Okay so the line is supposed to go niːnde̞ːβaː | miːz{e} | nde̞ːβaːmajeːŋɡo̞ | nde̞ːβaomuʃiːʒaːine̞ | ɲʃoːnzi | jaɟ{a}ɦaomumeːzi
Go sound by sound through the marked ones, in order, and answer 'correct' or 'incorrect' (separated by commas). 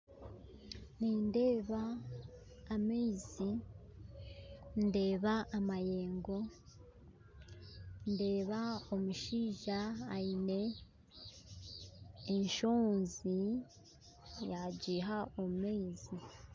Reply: incorrect, incorrect